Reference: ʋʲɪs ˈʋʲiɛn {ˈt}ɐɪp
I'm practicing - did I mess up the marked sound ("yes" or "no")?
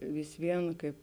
yes